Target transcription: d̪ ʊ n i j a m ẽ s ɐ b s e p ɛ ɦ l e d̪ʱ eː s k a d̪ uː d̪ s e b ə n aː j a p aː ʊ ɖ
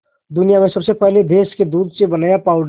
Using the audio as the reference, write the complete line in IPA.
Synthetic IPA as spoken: d̪ ʊ n i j a m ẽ s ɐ b s e p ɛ ɦ l e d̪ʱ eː s k e d̪ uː d̪ s e b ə n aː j a p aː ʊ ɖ